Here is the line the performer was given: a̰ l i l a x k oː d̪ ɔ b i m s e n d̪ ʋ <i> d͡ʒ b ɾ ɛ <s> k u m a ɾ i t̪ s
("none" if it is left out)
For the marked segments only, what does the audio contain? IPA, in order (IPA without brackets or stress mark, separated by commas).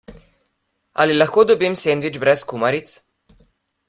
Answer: i, s